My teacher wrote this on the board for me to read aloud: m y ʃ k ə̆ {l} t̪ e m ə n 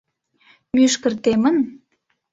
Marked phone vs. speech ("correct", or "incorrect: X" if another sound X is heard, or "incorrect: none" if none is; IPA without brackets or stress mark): incorrect: r